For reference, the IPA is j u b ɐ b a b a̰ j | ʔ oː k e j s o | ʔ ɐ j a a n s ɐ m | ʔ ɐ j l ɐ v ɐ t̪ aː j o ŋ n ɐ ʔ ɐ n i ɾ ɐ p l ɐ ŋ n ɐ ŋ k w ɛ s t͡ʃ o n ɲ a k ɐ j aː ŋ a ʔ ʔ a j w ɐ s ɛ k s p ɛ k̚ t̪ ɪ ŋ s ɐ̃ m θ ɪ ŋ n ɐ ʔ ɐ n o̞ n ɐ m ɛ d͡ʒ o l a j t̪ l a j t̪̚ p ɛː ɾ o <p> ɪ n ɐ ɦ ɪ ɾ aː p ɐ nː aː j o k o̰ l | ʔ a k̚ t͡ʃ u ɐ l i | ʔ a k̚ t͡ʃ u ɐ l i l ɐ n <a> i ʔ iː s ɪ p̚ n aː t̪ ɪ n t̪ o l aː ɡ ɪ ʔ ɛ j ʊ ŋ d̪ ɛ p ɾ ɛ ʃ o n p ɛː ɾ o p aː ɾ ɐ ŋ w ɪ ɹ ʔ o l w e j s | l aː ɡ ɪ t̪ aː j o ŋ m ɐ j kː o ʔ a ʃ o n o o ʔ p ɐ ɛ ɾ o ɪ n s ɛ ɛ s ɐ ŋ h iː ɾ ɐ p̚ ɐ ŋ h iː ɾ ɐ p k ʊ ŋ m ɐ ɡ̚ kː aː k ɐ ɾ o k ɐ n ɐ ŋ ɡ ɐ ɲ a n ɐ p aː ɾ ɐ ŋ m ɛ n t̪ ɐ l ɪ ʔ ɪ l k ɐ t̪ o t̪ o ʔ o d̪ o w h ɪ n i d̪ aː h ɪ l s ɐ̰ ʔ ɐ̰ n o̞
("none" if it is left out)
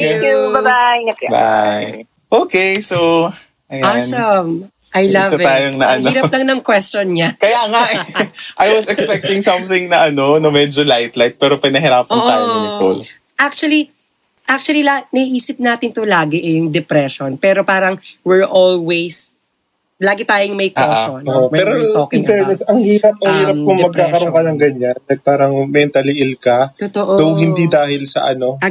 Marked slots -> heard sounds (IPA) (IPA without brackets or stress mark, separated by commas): p, ɐ